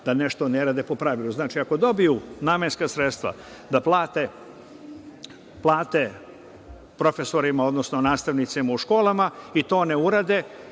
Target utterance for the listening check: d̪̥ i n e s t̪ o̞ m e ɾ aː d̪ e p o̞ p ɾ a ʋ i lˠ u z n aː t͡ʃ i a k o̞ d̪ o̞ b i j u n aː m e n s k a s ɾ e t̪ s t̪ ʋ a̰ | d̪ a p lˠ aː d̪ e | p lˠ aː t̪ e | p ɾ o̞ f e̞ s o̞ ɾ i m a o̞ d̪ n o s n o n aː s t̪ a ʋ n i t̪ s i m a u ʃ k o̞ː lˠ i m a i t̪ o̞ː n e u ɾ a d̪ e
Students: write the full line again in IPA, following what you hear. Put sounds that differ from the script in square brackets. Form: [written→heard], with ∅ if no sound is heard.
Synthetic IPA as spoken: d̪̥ [i→a] n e [s→ʃ] t̪ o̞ [m→n] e ɾ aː d̪ e p o̞ p ɾ a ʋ i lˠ u z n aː t͡ʃ i a k o̞ d̪ o̞ b i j u n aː m e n s k a s ɾ e t̪ s t̪ ʋ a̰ | d̪ a p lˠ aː [d̪→t̪] e | p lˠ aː t̪ e | p ɾ o̞ f e̞ s o̞ ɾ i m a o̞ d̪ n o s n o n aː s t̪ a ʋ n i t̪ s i m a u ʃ k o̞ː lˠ [i→a] m a i t̪ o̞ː n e u ɾ a d̪ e

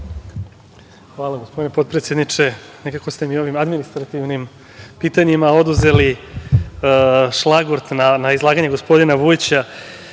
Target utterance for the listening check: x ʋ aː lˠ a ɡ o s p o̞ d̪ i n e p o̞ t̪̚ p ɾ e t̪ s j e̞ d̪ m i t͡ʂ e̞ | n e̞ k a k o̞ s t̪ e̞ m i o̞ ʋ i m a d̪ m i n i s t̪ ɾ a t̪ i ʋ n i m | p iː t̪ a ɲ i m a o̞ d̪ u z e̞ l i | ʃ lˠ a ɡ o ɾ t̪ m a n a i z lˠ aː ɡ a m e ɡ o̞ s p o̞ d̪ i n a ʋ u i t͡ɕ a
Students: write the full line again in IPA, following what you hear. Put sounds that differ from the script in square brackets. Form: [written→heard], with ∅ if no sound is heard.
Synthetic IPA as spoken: x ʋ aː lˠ a ɡ o s p o̞ d̪ i n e p o̞ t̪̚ p ɾ e t̪ s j e̞ d̪ [m→n] i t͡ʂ e̞ | n e̞ k a k o̞ s t̪ e̞ m i o̞ ʋ i m a d̪ m i n i s t̪ ɾ a t̪ i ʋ n i m | p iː t̪ a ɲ i m a o̞ d̪ u z e̞ l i | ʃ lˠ a ɡ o ɾ t̪ [m→n] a n a i z lˠ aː ɡ a [m→ɲ] e ɡ o̞ s p o̞ d̪ i n a ʋ u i t͡ɕ a

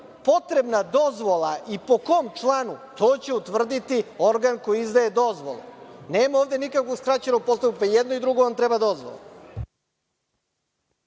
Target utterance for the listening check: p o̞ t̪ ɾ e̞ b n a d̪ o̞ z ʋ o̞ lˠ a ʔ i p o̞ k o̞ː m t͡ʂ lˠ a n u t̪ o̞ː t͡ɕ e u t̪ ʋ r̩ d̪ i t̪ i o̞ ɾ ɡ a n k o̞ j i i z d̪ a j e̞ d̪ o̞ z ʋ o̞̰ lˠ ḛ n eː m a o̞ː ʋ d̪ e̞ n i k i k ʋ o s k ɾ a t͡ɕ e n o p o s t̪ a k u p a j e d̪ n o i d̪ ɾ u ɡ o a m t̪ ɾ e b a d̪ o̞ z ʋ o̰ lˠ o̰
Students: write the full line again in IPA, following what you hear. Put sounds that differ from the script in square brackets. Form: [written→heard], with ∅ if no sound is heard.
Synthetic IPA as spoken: p o̞ t̪ ɾ e̞ b n a d̪ o̞ z ʋ o̞ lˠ a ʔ i p o̞ k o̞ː m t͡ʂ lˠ a n u t̪ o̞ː t͡ɕ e u t̪ ʋ r̩ d̪ i t̪ i o̞ ɾ ɡ a n k o̞ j i i z d̪ a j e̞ d̪ o̞ z ʋ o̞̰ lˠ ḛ n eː m a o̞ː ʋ d̪ e̞ n i k [i→a] k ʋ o s k ɾ a t͡ɕ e n o p o s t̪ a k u p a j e d̪ n o i d̪ ɾ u ɡ o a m t̪ ɾ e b a d̪ o̞ z ʋ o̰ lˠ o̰

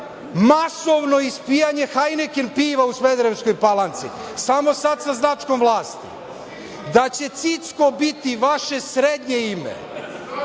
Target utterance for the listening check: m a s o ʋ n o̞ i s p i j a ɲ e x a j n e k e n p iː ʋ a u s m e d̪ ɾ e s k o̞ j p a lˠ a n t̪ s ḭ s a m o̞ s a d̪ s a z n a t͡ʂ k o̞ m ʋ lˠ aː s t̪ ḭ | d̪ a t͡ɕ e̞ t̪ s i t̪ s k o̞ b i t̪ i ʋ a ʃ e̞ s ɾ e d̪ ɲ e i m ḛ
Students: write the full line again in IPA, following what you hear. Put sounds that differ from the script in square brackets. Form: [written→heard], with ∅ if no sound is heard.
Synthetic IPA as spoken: m a s o ʋ n o̞ i s p i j a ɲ e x a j n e k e n p iː ʋ a u s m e d̪ ɾ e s k o̞ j p a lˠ a n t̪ s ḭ s a m o̞ s a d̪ s a z n a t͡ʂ k o̞ m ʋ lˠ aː s t̪ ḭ | d̪ a t͡ɕ e̞ t̪ s i t̪ s k o̞ b i t̪ i ʋ a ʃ e̞ s ɾ e d̪ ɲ e i m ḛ

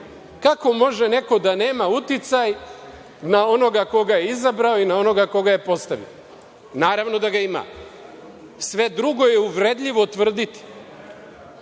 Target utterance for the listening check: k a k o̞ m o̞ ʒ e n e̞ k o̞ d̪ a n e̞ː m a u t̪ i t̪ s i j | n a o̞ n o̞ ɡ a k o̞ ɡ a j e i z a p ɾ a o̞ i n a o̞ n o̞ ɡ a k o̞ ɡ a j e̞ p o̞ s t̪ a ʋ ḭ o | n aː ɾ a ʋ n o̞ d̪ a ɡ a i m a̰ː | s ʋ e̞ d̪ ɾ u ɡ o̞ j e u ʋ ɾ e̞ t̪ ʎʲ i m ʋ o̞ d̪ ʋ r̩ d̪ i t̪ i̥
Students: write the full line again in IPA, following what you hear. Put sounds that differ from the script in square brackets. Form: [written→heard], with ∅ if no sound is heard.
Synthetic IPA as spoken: k a k o̞ m o̞ ʒ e n e̞ k o̞ d̪ a n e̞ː m a u t̪ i t̪ s [i→a] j | n a o̞ n o̞ ɡ a k o̞ ɡ a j e i z a [p→b] ɾ a o̞ i n a o̞ n o̞ ɡ a k o̞ ɡ a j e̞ p o̞ s t̪ a ʋ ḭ o | n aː ɾ a ʋ n o̞ d̪ a ɡ a i m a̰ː | s ʋ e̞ d̪ ɾ u ɡ o̞ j e u ʋ ɾ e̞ [t̪→d̪] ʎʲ i [m→∅] ʋ o̞ [d̪→t̪] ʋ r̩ d̪ i t̪ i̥

